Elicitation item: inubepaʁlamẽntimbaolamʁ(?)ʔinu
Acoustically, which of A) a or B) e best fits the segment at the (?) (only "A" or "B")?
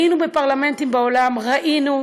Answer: A